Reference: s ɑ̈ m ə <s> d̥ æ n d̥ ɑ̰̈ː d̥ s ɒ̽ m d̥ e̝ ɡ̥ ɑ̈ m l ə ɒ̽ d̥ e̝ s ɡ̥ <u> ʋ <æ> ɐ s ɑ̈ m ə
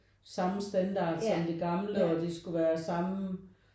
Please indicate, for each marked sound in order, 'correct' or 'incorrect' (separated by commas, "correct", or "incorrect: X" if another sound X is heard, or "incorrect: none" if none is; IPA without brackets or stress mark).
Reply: correct, correct, incorrect: æː